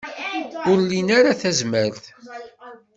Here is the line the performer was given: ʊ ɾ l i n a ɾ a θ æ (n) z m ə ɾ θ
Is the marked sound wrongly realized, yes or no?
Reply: yes